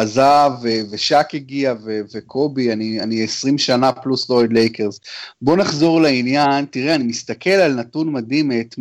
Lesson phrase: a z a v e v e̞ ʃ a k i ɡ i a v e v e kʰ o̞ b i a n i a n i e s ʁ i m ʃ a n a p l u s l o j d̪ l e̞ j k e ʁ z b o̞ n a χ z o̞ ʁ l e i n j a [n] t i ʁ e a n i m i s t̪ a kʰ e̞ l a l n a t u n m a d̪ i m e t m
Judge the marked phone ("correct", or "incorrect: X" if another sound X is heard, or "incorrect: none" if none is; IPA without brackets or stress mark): correct